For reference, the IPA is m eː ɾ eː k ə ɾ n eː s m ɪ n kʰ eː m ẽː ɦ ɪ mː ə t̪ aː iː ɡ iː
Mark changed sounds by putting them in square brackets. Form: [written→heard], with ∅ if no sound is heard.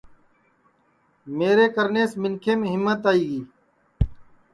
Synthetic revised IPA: m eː ɾ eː k ə ɾ n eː s m ɪ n kʰ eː m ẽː ɦ ɪ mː ə t̪ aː iː ɡ iː